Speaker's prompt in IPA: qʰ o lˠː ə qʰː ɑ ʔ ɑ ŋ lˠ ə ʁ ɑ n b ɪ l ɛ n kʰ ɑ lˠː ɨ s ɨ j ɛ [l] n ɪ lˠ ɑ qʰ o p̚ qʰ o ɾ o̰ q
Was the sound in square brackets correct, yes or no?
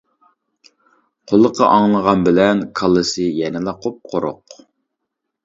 no